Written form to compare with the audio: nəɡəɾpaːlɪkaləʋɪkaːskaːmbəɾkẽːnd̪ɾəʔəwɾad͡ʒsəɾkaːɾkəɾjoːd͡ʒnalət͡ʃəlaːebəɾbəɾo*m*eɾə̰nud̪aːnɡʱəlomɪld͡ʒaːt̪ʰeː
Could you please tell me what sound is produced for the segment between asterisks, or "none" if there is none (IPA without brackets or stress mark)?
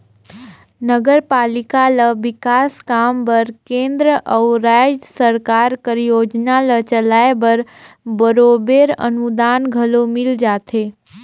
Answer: b